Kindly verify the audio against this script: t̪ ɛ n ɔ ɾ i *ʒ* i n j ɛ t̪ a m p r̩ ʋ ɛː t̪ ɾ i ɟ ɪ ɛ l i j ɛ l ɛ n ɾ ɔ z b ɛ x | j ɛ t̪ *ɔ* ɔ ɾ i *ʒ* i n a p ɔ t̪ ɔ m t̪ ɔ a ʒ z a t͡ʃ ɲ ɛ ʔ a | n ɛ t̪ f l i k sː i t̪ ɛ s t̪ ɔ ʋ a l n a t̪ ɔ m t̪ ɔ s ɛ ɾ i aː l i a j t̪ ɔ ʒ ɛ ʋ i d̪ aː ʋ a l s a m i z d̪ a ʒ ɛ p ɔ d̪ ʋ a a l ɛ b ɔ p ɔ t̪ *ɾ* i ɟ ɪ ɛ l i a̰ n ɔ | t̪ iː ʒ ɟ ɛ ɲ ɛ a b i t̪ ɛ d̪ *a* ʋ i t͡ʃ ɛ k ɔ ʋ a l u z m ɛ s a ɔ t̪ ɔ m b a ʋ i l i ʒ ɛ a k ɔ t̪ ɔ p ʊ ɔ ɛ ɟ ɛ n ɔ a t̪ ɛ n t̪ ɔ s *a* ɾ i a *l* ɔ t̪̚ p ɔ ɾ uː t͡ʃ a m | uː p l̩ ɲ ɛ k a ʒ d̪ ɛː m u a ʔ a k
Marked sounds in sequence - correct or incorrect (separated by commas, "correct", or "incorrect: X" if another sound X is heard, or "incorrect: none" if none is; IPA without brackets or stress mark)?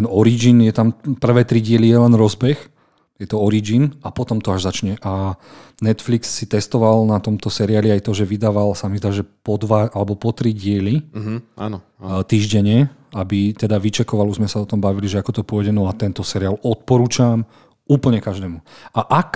incorrect: d͡ʒ, correct, incorrect: d͡ʒ, correct, correct, incorrect: ɛ, correct